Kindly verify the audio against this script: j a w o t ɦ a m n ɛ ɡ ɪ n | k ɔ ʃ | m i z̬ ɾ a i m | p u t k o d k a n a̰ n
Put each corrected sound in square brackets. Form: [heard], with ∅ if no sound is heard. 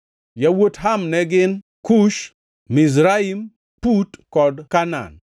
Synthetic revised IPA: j a w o t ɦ a m n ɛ ɡ ɪ n | k [u] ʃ | m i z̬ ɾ a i m | p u t k [ɔ] d k a n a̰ n